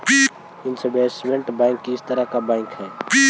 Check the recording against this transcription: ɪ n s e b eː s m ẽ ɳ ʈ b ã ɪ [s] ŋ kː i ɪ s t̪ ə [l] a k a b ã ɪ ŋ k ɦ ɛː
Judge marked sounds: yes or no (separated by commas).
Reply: no, no